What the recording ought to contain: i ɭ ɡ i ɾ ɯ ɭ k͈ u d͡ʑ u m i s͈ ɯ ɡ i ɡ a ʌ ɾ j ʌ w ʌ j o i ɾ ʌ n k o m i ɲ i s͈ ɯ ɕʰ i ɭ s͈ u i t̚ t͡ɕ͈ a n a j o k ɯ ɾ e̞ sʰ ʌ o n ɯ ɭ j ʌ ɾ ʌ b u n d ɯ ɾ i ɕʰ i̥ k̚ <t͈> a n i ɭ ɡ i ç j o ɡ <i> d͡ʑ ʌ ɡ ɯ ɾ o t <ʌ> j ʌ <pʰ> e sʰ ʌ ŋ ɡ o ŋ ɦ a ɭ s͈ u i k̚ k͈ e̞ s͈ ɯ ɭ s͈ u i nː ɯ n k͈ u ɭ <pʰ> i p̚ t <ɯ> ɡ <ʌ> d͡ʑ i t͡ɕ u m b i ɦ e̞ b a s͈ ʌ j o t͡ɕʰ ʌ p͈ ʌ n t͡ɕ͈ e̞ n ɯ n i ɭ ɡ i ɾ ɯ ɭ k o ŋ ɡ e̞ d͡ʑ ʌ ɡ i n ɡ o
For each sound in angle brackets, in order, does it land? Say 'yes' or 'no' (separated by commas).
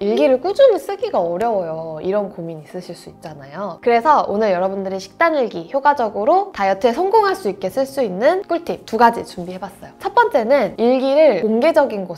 yes, no, no, no, no, no, no